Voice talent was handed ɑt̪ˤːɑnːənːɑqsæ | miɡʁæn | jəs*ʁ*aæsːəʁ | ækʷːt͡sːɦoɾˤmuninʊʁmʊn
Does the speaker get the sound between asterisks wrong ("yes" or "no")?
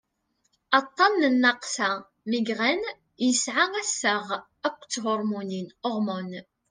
yes